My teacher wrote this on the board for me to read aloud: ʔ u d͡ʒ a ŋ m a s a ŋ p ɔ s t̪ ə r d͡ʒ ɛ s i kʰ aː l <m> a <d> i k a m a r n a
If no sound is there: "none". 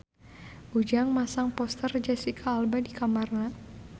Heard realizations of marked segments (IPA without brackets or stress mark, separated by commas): b, d